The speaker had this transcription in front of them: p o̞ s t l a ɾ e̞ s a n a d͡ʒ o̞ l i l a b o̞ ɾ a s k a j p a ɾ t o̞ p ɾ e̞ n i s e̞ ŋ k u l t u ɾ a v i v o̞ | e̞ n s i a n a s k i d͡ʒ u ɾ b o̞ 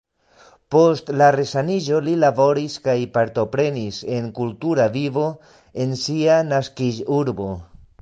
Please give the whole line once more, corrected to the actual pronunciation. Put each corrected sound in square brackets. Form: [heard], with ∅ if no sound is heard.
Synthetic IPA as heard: p o̞ s t l a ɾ e̞ s a n [i] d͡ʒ o̞ l i l a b o̞ ɾ [i] s k a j p a ɾ t o̞ p ɾ e̞ n i s e̞ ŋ k u l t u ɾ a v i v o̞ | e̞ n s i a n a s k i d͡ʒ u ɾ b o̞